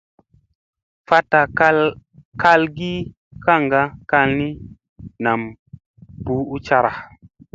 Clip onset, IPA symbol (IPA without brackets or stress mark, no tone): f